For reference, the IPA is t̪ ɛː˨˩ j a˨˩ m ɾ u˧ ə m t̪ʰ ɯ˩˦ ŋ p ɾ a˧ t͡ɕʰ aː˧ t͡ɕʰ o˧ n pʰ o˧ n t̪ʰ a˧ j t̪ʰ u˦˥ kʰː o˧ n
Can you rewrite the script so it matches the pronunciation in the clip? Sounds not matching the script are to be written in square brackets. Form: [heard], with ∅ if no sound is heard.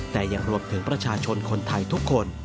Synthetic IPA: t̪ ɛː˨˩ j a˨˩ [ŋ] ɾ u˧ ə m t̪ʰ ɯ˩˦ ŋ p ɾ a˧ t͡ɕʰ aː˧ t͡ɕʰ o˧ n [kʰ] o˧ n t̪ʰ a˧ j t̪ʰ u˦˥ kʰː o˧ n